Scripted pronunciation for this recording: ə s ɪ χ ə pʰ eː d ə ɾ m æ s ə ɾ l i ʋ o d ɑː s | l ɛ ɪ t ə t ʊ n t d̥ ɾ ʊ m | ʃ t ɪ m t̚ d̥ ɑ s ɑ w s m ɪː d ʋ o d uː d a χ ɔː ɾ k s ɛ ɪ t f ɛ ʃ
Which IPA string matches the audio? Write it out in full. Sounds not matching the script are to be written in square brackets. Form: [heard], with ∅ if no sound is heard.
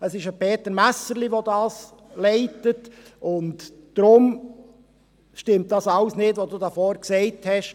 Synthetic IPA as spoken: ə s ɪ [ʃ] ə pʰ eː [t] ə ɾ m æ s ə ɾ l i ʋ o d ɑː s | l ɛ ɪ t ə t ʊ n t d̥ ɾ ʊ m | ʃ t ɪ m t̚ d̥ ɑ s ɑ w s [n] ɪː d ʋ o d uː d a [f] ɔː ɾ k s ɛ ɪ t [h] ɛ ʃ